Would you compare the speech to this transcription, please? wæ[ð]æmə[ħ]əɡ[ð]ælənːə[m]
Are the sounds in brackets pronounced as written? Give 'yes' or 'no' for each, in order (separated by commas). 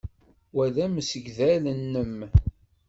yes, no, yes, yes